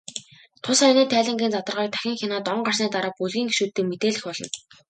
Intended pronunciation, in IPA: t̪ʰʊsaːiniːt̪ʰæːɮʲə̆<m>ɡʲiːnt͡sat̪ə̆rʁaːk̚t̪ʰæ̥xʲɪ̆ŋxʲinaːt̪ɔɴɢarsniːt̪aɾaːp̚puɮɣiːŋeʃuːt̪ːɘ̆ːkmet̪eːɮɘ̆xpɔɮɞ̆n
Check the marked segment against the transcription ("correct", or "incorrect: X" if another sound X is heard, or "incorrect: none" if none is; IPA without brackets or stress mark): incorrect: ŋ